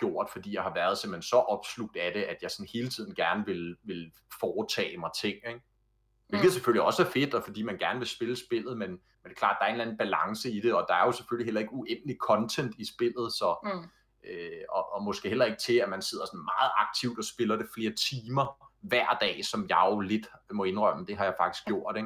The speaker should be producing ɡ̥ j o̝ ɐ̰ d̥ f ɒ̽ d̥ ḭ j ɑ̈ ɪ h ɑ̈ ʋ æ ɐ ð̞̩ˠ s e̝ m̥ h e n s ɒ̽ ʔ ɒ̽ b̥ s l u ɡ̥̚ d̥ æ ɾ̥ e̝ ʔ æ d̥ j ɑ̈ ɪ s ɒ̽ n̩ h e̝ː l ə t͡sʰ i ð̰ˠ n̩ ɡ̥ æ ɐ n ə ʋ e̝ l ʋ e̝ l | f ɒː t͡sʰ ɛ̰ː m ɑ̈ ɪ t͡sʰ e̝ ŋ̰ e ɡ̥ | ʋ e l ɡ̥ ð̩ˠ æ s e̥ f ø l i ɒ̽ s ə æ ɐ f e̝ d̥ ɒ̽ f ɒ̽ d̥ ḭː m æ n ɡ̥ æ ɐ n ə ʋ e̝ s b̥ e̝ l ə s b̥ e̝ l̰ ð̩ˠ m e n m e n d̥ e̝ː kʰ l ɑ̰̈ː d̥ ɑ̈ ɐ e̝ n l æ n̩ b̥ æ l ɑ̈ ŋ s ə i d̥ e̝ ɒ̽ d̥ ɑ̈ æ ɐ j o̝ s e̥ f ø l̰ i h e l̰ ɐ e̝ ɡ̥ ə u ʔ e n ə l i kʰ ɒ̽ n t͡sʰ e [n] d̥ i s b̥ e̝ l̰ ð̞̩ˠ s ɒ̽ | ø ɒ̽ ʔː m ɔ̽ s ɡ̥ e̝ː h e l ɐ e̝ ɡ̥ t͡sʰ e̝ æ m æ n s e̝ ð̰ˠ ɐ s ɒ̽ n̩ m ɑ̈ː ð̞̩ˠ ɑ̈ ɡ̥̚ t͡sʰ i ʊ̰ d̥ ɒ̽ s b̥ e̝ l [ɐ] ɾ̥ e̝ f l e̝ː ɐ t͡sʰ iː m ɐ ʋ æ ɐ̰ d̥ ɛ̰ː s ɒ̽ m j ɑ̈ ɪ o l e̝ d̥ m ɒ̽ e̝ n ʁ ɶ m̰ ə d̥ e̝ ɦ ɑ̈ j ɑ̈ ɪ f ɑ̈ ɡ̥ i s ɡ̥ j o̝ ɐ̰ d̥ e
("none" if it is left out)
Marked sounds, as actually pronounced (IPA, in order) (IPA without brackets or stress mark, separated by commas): n, ɐ